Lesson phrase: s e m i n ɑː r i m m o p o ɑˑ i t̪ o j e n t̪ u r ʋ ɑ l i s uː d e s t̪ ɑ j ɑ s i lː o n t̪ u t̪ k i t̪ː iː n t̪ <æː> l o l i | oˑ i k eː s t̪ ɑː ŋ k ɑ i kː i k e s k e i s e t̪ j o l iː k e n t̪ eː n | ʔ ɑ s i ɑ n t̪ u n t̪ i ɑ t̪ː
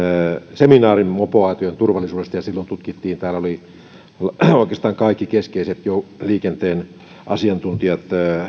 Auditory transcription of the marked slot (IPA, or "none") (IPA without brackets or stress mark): æː